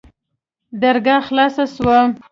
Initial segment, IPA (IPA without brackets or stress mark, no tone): d̪